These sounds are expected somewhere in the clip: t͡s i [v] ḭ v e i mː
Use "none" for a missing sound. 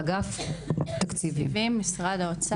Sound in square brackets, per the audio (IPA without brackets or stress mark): v